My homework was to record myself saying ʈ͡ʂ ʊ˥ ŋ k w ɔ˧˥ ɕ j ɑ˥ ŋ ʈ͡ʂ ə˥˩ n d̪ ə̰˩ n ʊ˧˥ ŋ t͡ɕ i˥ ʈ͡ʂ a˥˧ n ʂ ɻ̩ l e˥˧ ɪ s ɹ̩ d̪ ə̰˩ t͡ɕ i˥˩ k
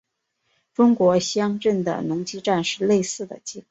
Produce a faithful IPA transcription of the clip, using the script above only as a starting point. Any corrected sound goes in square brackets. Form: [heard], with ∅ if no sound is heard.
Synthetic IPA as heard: ʈ͡ʂ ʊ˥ ŋ k w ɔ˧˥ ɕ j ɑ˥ ŋ ʈ͡ʂ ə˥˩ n d̪ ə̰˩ n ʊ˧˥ ŋ t͡ɕ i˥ ʈ͡ʂ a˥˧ n ʂ ɻ̩ l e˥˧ ɪ s ɹ̩ d̪ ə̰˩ t͡ɕ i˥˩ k